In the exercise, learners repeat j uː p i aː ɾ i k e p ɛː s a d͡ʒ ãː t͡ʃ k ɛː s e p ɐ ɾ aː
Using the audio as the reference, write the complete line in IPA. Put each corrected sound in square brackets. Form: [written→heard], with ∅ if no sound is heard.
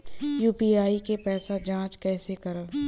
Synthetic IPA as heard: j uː p i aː [ɾ→∅] i k e p ɛː s a d͡ʒ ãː t͡ʃ k ɛː s e [p→k] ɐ ɾ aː